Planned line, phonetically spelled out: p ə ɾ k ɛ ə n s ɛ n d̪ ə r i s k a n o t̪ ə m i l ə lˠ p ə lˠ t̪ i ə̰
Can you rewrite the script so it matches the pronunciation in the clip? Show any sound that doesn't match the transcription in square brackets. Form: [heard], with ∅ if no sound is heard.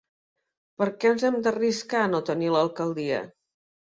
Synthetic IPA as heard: p ə ɾ k ɛ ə n [z] ɛ [m] d̪ ə r i s k a n o t̪ ə [n] i l ə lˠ [k] ə lˠ [d̪] i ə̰